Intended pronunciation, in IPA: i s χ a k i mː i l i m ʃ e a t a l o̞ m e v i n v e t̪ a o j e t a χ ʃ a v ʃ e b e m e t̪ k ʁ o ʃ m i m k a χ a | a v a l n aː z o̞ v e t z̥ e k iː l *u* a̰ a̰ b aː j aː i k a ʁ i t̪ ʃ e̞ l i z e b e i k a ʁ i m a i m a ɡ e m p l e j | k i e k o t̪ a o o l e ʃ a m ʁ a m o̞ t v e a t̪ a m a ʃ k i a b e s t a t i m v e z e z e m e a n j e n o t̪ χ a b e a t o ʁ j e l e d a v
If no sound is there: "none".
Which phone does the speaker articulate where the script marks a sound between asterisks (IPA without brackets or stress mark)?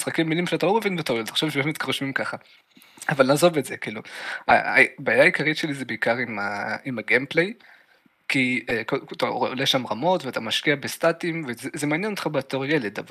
u